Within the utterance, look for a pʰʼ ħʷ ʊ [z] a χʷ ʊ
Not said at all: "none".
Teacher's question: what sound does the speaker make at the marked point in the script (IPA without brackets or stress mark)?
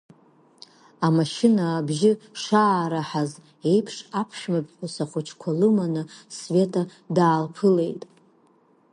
s